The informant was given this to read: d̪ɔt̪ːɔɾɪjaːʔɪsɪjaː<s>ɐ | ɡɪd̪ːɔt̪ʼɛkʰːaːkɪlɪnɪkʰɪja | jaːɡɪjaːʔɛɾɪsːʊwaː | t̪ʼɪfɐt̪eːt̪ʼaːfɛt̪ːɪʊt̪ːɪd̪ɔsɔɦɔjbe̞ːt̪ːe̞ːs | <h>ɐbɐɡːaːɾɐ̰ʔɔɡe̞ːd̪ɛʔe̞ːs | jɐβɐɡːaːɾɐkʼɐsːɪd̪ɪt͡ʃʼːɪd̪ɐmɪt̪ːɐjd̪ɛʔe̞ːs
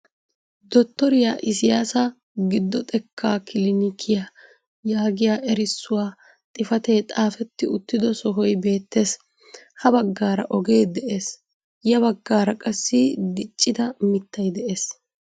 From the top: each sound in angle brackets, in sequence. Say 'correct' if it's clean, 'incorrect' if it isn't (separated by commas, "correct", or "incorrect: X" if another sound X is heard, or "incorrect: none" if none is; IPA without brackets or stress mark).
correct, correct